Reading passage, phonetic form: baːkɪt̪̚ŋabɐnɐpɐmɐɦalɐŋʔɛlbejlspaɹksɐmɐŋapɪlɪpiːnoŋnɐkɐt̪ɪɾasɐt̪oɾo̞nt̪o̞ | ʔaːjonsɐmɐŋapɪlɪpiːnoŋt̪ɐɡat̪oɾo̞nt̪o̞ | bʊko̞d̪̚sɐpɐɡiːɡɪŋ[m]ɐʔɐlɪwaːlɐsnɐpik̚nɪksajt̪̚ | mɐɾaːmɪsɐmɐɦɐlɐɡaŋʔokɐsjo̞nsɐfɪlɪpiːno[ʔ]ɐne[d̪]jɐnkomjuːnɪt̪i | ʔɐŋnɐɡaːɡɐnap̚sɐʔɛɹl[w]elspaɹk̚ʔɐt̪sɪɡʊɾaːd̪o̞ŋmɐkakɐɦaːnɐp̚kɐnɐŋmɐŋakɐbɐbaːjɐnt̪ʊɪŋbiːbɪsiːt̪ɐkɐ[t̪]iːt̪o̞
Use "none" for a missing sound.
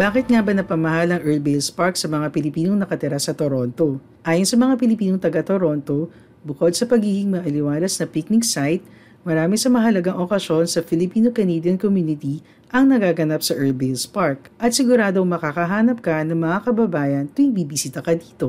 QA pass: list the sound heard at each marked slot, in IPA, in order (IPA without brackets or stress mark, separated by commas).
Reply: m, k, d̪, b, d̪